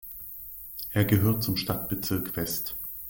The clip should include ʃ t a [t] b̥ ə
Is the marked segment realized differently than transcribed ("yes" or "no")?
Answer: no